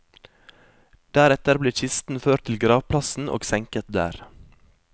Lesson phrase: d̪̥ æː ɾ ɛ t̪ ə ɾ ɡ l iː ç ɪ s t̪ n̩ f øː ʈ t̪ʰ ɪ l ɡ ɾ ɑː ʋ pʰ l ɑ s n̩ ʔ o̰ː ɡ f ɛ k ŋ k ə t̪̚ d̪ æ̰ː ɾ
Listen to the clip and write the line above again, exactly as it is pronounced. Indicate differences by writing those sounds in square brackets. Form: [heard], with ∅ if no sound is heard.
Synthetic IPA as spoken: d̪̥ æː ɾ ɛ t̪ ə ɾ [b] l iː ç ɪ s t̪ n̩ f øː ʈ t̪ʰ ɪ l ɡ ɾ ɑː ʋ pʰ l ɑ s n̩ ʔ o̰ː ɡ [s] ɛ [∅] ŋ k ə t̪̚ d̪ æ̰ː ɾ